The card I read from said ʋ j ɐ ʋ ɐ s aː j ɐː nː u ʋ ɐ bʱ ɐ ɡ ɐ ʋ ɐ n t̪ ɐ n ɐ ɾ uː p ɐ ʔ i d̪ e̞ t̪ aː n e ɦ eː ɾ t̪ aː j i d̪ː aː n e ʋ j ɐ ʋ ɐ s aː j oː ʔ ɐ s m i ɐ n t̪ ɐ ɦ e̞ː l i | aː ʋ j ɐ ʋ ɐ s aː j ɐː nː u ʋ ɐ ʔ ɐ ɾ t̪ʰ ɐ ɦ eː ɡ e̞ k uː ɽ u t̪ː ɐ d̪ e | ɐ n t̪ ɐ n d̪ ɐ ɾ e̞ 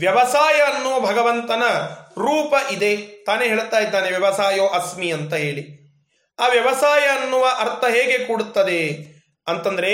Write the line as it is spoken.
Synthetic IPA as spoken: ʋ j ɐ ʋ ɐ s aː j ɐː nː u ʋ ɐ bʱ ɐ ɡ ɐ ʋ ɐ n t̪ ɐ n ɐ ɾ uː p ɐ ʔ i d̪ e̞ t̪ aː n e ɦ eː ɭ t̪ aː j i d̪ː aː n e ʋ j ɐ ʋ ɐ s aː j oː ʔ ɐ s m i ɐ n t̪ ɐ ɦ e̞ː ɭ i | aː ʋ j ɐ ʋ ɐ s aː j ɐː nː u ʋ ɐ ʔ ɐ ɾ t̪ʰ ɐ ɦ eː ɡ e̞ k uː ɽ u t̪ː ɐ d̪ e | ɐ n t̪ ɐ n d̪ ɐ ɾ e̞